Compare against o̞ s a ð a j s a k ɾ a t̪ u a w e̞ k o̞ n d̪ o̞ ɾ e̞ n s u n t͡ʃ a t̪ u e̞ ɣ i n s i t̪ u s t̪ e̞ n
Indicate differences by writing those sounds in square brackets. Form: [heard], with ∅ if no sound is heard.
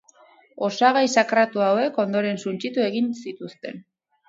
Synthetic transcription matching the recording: o̞ s a [ɣ] a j s a k ɾ a t̪ u a w e̞ k o̞ n d̪ o̞ ɾ e̞ n s u n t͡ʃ [i] t̪ u e̞ ɣ i n s i t̪ u s t̪ e̞ n